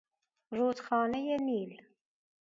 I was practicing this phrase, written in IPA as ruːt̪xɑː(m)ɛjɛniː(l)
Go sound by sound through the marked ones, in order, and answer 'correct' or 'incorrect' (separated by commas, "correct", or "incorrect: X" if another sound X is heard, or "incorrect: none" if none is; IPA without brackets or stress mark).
incorrect: n, correct